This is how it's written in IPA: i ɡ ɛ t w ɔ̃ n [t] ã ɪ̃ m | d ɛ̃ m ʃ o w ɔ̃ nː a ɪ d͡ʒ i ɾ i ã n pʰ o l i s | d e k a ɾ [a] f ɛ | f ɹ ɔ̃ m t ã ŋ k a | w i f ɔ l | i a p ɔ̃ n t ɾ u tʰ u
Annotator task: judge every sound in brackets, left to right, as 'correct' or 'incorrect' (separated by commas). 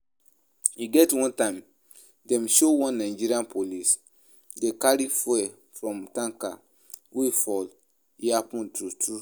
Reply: correct, incorrect